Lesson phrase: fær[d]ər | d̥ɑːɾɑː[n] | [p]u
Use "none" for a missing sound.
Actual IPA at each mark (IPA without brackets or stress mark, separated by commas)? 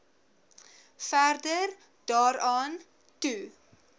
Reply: d, n, t